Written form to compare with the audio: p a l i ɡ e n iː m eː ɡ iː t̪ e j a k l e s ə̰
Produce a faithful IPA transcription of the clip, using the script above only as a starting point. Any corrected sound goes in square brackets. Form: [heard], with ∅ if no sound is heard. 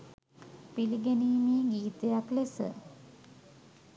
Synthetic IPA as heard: p [i] l i ɡ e n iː m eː ɡ iː t̪ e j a k l e s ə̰